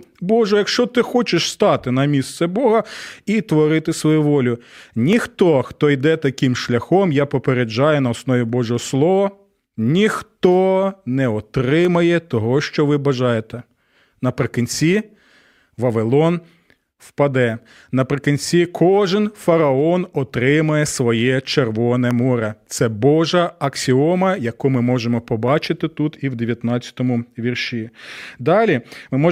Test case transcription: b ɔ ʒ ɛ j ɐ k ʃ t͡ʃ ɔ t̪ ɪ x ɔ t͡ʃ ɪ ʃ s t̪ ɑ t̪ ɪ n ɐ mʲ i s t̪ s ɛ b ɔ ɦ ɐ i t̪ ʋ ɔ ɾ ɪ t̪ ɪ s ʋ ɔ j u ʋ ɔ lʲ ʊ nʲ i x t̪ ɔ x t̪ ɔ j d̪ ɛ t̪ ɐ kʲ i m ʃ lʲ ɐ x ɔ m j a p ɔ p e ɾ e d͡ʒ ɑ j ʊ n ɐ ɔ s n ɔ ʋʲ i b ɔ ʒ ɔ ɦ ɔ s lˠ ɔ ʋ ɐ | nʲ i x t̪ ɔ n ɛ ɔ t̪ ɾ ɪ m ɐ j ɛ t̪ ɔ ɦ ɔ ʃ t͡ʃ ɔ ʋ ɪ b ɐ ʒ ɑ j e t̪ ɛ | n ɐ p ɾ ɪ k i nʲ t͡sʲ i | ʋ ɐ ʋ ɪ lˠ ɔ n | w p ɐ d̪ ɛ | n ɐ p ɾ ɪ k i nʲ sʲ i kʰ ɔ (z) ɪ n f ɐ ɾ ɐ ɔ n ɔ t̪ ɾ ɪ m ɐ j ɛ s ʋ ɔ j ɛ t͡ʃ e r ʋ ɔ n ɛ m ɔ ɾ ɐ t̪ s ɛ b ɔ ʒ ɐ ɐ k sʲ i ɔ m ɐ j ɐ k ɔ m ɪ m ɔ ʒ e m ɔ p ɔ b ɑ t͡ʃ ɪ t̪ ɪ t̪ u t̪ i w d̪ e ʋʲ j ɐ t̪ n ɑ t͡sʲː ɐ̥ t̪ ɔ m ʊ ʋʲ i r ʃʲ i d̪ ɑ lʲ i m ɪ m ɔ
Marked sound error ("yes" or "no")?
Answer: yes